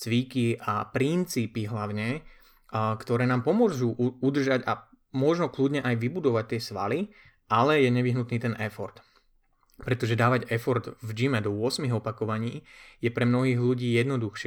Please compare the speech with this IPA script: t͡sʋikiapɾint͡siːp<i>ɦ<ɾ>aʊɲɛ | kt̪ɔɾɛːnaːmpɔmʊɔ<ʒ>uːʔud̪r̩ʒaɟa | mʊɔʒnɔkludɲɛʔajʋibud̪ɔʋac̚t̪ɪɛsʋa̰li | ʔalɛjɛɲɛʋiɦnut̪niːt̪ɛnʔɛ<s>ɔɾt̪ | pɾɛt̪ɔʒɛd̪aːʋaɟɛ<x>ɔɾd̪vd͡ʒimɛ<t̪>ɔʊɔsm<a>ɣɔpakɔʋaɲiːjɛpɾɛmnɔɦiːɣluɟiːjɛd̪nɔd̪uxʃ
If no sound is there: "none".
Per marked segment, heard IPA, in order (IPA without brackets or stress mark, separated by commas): i, l, ʒ, f, f, d̪, i